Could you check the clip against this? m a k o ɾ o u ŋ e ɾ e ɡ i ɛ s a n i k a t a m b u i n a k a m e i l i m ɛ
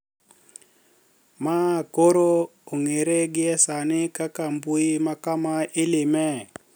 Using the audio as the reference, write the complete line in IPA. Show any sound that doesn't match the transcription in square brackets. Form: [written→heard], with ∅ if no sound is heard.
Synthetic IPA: m a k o ɾ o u ŋ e ɾ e ɡ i ɛ s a n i k a [t→k] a m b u i [n→m] a k a m [e→a] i l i m ɛ